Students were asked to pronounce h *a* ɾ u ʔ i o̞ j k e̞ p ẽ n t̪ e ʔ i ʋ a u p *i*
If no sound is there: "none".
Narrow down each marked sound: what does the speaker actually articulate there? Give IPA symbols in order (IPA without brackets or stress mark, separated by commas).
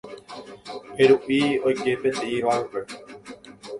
e, e